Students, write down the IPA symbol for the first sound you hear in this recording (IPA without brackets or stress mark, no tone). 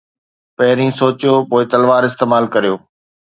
p